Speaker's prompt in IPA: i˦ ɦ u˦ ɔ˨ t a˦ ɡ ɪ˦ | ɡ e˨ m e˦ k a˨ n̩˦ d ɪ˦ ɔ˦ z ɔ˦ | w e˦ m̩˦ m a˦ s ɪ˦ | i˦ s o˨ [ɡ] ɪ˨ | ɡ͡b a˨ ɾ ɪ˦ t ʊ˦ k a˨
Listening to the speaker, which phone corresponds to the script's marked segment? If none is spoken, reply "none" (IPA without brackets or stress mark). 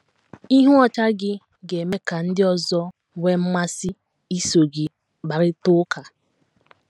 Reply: ɡ